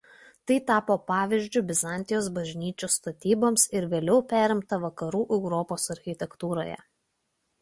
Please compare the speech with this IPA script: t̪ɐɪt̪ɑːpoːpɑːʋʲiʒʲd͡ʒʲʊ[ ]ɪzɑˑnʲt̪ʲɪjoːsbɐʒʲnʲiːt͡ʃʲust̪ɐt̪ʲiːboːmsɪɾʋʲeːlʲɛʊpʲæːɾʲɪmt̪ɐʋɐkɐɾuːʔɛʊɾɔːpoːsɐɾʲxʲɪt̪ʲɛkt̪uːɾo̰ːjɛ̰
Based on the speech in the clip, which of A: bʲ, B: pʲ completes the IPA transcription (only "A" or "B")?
A